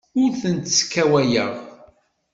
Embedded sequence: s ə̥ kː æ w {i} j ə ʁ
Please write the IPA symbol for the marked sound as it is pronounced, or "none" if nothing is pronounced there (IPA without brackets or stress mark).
æ